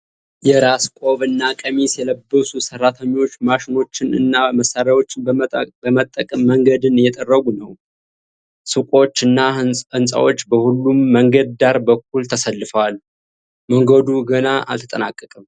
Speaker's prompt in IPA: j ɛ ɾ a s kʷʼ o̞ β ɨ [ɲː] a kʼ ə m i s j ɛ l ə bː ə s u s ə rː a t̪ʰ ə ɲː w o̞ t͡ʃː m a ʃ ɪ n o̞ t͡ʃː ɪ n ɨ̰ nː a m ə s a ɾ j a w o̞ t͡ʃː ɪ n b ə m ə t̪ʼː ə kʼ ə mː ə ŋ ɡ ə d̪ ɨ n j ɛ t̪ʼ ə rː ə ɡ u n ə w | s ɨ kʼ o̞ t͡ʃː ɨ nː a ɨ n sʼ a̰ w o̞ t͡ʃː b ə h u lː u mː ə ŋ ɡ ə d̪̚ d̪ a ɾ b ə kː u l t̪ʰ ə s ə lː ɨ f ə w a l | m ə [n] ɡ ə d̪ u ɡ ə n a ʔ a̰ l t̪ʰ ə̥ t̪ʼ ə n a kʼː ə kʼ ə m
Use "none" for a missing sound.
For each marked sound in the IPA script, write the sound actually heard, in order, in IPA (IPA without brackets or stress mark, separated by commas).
nː, ŋ